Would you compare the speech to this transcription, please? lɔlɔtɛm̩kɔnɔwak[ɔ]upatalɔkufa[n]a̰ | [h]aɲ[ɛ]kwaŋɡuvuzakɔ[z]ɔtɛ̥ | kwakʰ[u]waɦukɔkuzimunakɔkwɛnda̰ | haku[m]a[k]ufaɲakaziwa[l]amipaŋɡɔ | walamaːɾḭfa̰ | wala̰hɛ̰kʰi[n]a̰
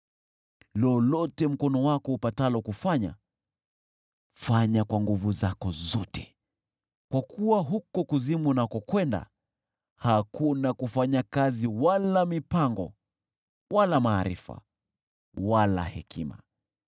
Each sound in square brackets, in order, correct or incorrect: correct, incorrect: ɲ, incorrect: f, incorrect: a, correct, correct, incorrect: n, correct, correct, incorrect: m

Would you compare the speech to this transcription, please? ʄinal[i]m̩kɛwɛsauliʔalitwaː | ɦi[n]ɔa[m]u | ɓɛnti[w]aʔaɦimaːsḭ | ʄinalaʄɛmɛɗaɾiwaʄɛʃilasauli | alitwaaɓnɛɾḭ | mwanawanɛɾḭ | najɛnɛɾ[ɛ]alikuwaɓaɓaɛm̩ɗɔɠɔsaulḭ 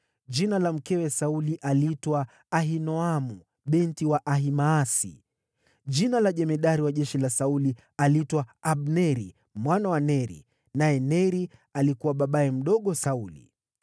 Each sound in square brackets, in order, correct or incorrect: incorrect: a, correct, correct, correct, incorrect: i

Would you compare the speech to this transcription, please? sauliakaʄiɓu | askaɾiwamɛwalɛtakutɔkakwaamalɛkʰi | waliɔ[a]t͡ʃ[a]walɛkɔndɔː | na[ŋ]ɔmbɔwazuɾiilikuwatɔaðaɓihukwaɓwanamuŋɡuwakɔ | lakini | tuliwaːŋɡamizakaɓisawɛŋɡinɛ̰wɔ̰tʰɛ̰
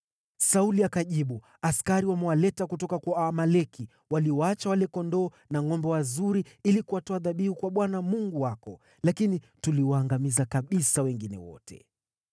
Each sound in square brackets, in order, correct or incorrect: correct, correct, correct

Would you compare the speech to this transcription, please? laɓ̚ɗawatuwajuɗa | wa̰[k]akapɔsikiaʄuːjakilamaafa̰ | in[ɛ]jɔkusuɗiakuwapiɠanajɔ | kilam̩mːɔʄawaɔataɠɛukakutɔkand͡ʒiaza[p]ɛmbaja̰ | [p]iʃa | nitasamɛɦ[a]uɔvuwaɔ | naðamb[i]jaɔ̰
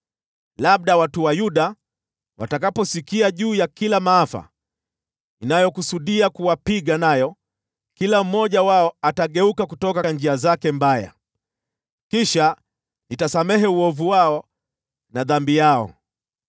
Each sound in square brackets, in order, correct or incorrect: incorrect: t, incorrect: a, incorrect: k, incorrect: k, incorrect: ɛ, correct

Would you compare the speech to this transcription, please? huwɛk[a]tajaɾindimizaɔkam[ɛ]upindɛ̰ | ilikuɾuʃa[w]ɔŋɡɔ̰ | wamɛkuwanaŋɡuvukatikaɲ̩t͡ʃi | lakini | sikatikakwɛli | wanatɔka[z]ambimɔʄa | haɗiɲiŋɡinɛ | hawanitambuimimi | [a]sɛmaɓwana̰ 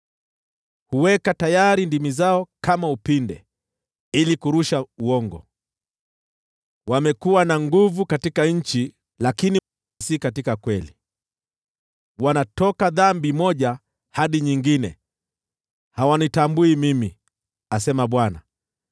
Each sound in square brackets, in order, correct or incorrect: correct, incorrect: a, incorrect: u, incorrect: ð, correct

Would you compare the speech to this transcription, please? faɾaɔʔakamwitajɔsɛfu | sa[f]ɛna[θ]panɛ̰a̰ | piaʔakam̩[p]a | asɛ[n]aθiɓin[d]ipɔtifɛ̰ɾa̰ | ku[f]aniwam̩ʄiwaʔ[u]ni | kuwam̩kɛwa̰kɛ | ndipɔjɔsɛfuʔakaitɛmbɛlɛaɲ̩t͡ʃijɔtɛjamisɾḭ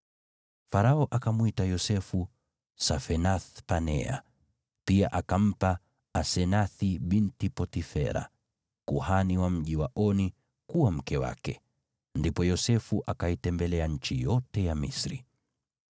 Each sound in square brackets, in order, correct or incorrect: correct, correct, correct, correct, incorrect: t, incorrect: h, incorrect: ɔ

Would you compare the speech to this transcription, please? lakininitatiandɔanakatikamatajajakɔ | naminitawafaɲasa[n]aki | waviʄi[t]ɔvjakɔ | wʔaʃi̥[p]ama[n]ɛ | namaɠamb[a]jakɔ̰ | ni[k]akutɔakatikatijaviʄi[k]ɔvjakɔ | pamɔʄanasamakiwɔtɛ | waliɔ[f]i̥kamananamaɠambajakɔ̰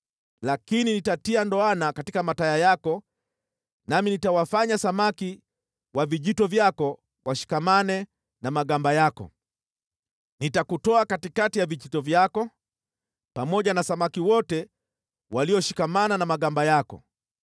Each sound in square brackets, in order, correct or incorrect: incorrect: m, correct, incorrect: k, correct, correct, incorrect: t, incorrect: t, incorrect: ʃ

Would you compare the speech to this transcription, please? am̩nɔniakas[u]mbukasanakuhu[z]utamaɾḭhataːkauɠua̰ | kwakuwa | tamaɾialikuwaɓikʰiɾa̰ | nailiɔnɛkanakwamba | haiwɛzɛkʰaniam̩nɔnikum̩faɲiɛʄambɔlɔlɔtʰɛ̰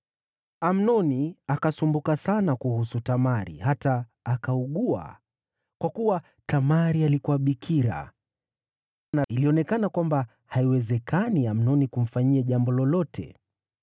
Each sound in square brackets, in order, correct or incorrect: correct, incorrect: s

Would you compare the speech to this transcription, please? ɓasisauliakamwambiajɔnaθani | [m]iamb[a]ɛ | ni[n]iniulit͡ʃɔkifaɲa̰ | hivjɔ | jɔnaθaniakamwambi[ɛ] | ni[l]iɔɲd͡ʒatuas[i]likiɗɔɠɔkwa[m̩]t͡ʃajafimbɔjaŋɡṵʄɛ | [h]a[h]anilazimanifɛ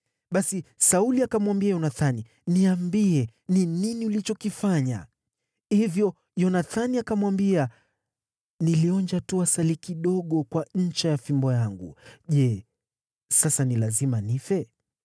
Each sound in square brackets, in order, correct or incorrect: incorrect: n, incorrect: i, correct, incorrect: a, correct, incorrect: a, incorrect: ɲ̩, incorrect: s, incorrect: s

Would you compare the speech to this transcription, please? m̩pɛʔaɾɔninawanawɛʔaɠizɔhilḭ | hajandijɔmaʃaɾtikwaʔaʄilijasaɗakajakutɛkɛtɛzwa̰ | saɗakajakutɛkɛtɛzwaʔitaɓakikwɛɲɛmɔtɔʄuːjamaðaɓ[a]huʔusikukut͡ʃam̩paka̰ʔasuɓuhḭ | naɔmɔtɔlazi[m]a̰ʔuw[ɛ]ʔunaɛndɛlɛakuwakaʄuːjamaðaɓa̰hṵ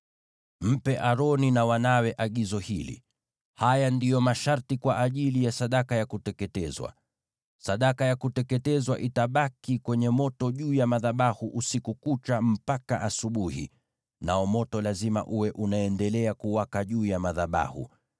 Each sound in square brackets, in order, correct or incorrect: correct, correct, correct

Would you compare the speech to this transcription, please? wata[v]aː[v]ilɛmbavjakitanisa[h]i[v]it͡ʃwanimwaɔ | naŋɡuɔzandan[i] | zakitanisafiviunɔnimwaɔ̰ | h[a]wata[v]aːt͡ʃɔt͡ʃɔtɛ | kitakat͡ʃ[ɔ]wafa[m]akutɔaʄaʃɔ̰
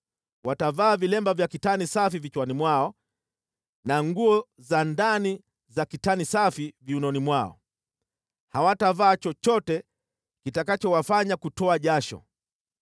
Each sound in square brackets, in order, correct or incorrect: correct, correct, incorrect: f, correct, correct, correct, correct, correct, incorrect: ɲ

